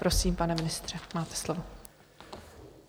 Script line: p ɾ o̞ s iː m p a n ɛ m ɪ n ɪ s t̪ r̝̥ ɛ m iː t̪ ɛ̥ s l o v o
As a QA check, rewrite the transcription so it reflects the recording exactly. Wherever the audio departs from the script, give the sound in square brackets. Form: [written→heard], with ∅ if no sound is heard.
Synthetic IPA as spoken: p ɾ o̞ s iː m p a n ɛ m ɪ n ɪ s t̪ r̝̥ ɛ m [iː→aː] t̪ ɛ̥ s l o v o